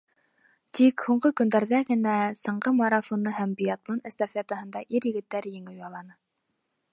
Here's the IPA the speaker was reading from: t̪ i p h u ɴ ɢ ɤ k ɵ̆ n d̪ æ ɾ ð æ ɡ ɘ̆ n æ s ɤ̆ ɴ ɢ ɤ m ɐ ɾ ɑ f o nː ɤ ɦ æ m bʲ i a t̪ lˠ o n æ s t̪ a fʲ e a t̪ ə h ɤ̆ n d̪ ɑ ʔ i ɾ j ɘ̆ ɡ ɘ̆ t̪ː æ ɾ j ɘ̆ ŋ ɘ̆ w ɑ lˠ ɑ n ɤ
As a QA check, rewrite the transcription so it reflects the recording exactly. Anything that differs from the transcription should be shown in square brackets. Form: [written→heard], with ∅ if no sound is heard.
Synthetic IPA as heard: t̪ i [p→k] h u ɴ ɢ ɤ k ɵ̆ n d̪ æ ɾ ð æ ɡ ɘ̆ n æ s ɤ̆ ɴ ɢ ɤ m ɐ ɾ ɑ f o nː ɤ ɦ æ m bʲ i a t̪ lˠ o n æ s t̪ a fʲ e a t̪ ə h ɤ̆ n d̪ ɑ ʔ i ɾ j ɘ̆ ɡ ɘ̆ t̪ː æ ɾ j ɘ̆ ŋ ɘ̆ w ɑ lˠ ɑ n ɤ

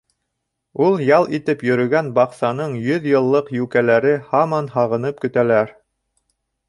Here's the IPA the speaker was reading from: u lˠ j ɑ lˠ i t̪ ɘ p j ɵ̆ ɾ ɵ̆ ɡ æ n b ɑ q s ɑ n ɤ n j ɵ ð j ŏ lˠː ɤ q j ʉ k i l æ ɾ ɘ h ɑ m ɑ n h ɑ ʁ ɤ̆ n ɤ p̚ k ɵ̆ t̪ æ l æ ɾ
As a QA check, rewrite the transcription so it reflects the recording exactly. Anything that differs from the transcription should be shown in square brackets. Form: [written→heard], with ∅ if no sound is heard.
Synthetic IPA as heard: u lˠ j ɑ lˠ i t̪ ɘ p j ɵ̆ ɾ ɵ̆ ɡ æ n b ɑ q s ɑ n ɤ [n→ɴ] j ɵ ð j [ŏ→ɤ̆] lˠː ɤ q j ʉ k [i→æ] l æ ɾ ɘ h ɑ m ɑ n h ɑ ʁ ɤ̆ n ɤ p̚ k ɵ̆ t̪ æ l æ ɾ

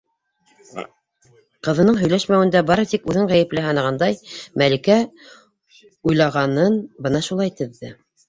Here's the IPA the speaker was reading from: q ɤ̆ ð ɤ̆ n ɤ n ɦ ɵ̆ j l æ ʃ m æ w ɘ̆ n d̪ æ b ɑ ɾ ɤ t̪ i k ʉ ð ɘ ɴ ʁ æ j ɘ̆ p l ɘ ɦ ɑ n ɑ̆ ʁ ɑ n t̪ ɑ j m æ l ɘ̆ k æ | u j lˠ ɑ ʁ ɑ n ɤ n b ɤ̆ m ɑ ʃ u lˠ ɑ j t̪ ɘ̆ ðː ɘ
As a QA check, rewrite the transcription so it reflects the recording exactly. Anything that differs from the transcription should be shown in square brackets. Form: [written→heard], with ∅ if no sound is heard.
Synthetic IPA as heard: q ɤ̆ ð ɤ̆ n ɤ [n→ɴ] ɦ ɵ̆ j l æ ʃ m æ w ɘ̆ n d̪ æ b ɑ ɾ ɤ t̪ i k ʉ ð ɘ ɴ ʁ æ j ɘ̆ p l ɘ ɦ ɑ n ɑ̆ ʁ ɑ n [t̪→d̪] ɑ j m æ l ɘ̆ k æ | u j lˠ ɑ ʁ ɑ n ɤ n b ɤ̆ [m→n] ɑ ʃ u lˠ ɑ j t̪ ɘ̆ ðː ɘ

